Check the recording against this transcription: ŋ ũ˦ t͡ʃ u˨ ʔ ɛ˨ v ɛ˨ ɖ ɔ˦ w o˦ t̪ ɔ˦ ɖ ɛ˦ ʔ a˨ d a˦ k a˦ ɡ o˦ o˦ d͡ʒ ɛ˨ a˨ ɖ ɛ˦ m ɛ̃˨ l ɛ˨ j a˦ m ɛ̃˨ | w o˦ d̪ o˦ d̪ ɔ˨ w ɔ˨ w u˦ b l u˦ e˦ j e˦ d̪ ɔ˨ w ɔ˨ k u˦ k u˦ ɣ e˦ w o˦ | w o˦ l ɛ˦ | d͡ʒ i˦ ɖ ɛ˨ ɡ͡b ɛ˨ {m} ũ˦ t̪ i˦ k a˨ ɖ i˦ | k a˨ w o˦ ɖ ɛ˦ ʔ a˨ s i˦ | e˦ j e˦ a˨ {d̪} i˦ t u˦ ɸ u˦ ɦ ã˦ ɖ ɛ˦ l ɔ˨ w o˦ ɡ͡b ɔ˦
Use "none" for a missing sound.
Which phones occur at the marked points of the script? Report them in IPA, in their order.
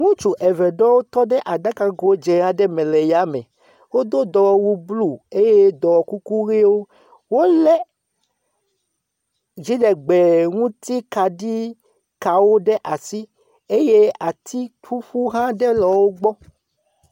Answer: ŋ, t̪

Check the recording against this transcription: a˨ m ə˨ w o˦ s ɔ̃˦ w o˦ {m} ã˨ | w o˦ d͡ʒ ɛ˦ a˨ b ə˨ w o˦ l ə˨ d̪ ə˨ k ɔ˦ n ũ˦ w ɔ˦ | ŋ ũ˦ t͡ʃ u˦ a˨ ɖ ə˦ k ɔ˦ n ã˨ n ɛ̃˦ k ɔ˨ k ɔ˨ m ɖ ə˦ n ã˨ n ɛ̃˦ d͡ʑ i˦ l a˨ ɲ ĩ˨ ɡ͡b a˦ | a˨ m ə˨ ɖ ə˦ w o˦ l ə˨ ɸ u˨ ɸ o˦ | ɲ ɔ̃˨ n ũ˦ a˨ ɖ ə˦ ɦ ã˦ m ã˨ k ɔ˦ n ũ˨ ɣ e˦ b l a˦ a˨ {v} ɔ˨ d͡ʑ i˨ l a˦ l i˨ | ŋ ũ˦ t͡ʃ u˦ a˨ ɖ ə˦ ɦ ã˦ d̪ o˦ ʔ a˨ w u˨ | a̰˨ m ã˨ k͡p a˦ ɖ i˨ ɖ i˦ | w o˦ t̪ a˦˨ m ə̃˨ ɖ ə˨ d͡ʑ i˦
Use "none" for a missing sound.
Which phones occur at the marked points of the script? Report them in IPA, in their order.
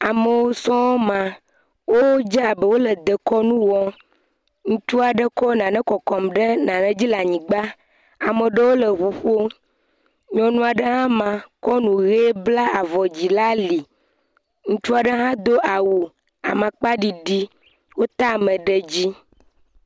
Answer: m, v

